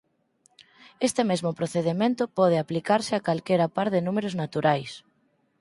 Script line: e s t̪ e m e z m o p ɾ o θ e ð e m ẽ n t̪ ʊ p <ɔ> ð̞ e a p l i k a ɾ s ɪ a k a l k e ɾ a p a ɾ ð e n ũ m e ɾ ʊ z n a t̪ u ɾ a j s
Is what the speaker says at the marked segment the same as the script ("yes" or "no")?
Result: yes